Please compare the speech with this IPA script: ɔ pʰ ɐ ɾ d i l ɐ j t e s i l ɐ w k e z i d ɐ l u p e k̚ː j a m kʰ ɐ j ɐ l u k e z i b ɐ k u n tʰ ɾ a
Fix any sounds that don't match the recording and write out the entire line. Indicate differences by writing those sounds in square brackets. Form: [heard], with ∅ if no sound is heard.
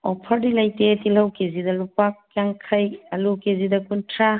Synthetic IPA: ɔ pʰ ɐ ɾ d i l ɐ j t e [t] i l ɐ w k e z i d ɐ l u p [a] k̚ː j a [ŋ] kʰ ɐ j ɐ l u k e z i [d] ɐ k u n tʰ ɾ a